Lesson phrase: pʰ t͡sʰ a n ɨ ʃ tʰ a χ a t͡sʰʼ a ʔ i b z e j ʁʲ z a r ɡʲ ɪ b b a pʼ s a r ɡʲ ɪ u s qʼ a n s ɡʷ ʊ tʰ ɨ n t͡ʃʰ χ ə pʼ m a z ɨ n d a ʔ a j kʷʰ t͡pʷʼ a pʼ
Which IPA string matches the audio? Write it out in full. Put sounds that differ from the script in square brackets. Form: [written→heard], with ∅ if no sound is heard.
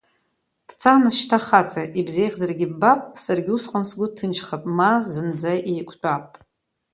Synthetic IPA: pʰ t͡sʰ a n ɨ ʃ tʰ a χ a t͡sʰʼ a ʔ i b z e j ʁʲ z a r ɡʲ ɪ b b a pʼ s a r ɡʲ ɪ u s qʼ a n s ɡʷ ʊ tʰ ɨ n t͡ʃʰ χ [ə→a] pʼ m a z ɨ n [d→d͡z] a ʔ [a→e] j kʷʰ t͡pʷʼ a pʼ